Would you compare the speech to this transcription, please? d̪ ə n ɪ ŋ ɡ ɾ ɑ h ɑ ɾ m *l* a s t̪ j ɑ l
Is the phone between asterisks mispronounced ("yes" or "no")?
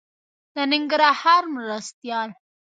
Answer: yes